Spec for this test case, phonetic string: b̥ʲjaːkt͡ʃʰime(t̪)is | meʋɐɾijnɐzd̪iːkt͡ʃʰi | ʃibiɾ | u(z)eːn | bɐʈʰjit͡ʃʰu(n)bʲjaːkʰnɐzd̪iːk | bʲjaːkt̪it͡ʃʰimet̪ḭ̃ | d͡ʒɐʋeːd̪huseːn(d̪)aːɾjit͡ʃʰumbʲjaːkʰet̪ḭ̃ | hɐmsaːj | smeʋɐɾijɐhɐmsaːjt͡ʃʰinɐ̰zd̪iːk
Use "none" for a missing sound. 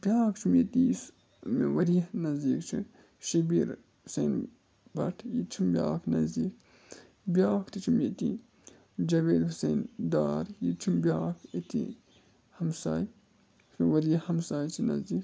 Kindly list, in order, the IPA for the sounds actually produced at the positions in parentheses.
t̪, s, m, d̪

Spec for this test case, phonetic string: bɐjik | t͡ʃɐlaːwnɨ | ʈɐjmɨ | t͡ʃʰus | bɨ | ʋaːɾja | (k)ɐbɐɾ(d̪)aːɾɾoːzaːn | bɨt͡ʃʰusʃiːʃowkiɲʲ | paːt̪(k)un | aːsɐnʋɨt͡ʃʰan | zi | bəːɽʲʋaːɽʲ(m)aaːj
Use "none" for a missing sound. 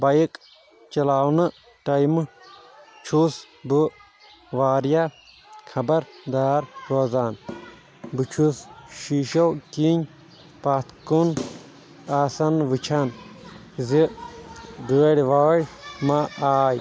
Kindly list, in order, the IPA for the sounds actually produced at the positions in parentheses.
kʰ, d̪, k, m

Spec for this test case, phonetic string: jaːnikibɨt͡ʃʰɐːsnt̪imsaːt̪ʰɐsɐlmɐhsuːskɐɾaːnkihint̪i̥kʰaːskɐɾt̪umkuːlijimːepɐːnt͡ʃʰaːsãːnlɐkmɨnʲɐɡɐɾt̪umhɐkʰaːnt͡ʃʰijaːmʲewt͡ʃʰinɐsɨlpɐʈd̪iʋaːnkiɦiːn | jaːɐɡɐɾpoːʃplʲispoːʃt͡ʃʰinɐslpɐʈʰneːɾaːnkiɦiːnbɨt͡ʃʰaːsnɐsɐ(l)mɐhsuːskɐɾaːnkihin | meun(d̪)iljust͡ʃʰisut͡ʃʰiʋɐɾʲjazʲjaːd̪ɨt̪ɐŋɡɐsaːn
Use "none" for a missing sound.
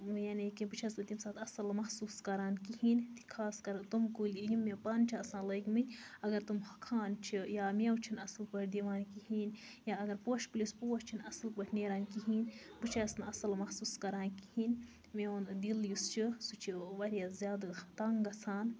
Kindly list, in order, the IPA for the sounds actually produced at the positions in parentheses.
l, d̪

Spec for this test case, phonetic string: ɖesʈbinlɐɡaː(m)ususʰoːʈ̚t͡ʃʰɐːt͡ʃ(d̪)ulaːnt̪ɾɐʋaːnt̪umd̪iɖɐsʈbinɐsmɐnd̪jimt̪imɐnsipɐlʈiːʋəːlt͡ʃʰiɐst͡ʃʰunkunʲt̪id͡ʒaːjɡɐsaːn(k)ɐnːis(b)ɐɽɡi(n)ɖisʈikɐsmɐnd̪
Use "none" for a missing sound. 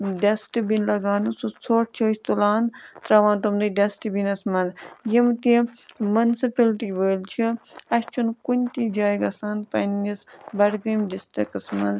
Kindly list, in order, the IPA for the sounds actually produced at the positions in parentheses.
n, t̪, p, b, m

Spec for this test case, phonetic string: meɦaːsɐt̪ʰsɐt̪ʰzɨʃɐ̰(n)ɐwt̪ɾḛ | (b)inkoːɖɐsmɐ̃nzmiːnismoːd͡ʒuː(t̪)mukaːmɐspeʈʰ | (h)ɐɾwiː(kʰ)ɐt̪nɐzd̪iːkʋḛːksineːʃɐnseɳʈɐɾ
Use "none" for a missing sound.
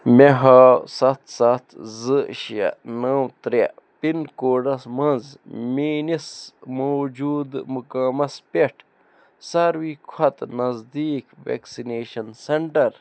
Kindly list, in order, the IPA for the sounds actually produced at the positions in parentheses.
n, p, d̪, s, kʰ

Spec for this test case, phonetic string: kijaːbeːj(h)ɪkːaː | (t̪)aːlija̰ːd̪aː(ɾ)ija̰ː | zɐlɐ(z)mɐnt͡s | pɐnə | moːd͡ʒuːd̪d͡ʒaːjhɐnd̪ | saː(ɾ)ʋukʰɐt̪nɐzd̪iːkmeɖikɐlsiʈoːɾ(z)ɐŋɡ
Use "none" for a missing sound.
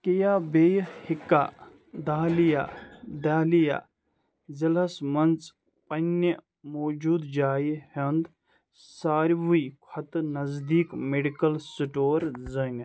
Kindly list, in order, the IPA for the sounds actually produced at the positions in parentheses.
h, d̪, l, s, ɾ, z

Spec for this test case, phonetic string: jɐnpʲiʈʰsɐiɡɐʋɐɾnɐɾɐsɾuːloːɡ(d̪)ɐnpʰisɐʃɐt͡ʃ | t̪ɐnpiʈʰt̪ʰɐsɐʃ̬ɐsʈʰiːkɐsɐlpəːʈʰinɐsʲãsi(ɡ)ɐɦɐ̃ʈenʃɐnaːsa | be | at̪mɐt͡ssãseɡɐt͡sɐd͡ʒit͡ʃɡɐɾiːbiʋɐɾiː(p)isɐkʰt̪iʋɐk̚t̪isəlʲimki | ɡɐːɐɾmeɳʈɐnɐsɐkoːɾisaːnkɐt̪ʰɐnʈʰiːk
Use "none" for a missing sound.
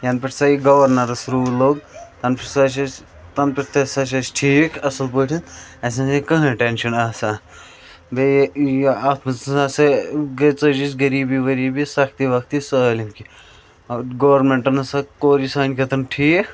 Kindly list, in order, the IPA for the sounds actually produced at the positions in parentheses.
t̪, k, b

